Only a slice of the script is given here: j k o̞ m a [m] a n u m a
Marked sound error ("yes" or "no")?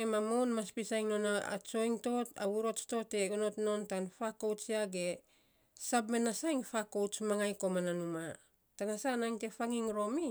yes